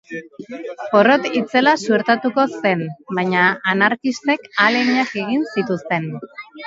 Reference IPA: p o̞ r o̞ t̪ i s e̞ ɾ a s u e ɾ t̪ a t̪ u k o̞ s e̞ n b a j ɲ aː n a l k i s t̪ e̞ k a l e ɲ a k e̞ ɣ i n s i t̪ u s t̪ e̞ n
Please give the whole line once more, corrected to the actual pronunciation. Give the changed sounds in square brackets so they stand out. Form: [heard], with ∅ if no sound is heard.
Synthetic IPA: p o̞ r o̞ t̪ i [t͡s] e̞ [l] a s u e ɾ t̪ a t̪ u k o̞ s e̞ n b a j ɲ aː n a [ɾ] k i s t̪ e̞ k a l e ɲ a k e̞ ɣ i n s i t̪ u s t̪ e̞ n